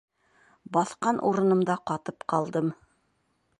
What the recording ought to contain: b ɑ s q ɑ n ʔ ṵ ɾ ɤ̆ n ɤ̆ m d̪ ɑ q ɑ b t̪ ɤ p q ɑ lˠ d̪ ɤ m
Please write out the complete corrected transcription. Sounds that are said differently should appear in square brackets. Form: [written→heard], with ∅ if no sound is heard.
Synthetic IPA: b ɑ [s→θ] q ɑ n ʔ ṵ ɾ ɤ̆ n ɤ̆ m d̪ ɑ q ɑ [b→∅] t̪ ɤ p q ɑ lˠ d̪ ɤ m